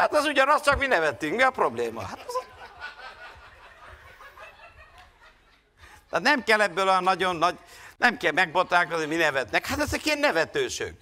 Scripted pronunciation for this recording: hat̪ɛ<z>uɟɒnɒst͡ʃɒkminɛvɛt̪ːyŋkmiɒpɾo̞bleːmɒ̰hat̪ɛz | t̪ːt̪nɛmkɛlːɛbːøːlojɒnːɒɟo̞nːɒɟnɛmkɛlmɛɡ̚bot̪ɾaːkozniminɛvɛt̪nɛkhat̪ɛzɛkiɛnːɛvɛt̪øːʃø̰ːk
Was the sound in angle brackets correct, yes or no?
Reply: yes